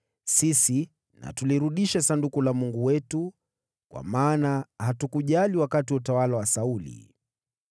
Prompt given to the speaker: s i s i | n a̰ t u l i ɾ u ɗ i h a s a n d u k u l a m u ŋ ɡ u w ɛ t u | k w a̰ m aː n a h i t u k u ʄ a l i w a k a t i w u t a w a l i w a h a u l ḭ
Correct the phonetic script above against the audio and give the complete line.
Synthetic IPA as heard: s i s i | n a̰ t u l i ɾ u ɗ i ʃ a s a n d u k u l a m u ŋ ɡ u w ɛ t u | k w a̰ m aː n a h a t u k u ʄ a l i w a k a t i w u t a w a l a w a s a u l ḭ

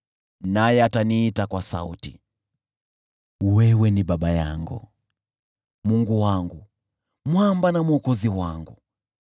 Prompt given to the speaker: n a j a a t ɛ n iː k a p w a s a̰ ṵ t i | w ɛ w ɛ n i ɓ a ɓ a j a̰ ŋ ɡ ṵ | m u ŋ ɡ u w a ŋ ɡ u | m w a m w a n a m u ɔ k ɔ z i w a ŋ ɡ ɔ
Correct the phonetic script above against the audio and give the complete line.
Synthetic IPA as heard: n a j ɛ a t a n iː t a k w a s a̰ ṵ t i | w ɛ w ɛ n i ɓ a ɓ a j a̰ ŋ ɡ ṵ | m u ŋ ɡ u w a ŋ ɡ u | m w a m b a n a m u ɔ k ɔ z i w a ŋ ɡ u

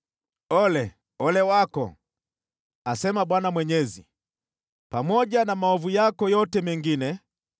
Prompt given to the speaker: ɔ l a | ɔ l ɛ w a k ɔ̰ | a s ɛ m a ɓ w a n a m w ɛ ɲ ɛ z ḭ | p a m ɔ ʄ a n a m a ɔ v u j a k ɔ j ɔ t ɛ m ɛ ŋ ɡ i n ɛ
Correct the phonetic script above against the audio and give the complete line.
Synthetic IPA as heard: ɔ l ɛ | ɔ l ɛ w a k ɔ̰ | a s ɛ m a ɓ w a n a m w ɛ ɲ ɛ z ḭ | p a m ɔ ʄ a n a m a ɔ v u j a k ɔ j ɔ t ɛ m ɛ ŋ ɡ i n ɛ

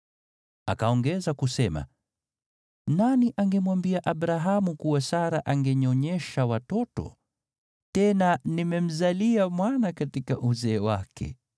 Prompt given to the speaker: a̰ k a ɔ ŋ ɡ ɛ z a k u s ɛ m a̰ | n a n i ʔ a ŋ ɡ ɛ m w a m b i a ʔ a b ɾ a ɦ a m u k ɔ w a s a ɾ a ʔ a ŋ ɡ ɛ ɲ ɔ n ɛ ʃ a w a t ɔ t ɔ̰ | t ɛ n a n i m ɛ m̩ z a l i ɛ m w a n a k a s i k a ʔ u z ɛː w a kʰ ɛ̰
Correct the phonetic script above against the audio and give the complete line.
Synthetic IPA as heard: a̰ k a ɔ ŋ ɡ ɛ z a k u s ɛ m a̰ | n a n i ʔ a ŋ ɡ ɛ m w a m b i a ʔ a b ɾ a ɦ a m u k u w a s a ɾ a ʔ a ŋ ɡ ɛ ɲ ɔ ɲ ɛ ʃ a w a t ɔ t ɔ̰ | t ɛ n a n i m ɛ m̩ z a l i a m w a n a k a t i k a ʔ u z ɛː w a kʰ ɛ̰

